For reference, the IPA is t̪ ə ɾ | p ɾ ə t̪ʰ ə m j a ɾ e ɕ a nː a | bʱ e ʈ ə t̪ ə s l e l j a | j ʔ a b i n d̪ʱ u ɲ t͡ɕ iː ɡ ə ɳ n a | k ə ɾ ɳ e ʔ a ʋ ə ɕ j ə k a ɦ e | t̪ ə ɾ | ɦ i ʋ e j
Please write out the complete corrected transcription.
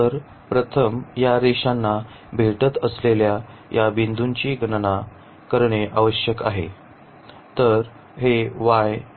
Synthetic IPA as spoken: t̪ ə ɾ | p ɾ ə t̪ʰ ə m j a ɾ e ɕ a nː a | bʱ e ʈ ə t̪ ə s l e l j a | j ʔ a b i n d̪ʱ u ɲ t͡ɕ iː ɡ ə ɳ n a | k ə ɾ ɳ e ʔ a ʋ ə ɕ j ə k a ɦ e | t̪ ə ɾ | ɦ e ʋ a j